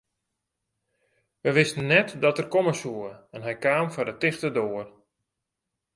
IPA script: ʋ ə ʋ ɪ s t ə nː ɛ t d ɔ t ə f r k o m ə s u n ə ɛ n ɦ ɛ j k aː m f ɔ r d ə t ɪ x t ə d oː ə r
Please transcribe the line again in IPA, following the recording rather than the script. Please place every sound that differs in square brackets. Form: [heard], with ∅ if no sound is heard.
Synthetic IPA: ʋ ə ʋ ɪ s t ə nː ɛ t d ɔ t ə [∅] r k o m ə s u [∅] ə ɛ n ɦ ɛ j k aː m f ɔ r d ə t ɪ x t ə d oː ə r